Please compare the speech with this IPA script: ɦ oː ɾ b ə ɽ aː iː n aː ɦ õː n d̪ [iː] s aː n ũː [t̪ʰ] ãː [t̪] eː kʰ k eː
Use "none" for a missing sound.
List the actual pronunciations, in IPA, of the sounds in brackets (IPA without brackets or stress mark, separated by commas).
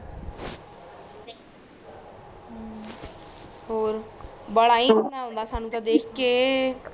aː, t̪, d̪